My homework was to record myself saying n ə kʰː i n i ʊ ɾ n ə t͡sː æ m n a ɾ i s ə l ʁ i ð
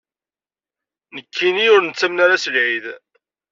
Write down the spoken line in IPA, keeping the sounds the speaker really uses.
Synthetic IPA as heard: n ə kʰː i n i ʊ ɾ n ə t͡sː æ m n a ɾ a s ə l ʕ i ð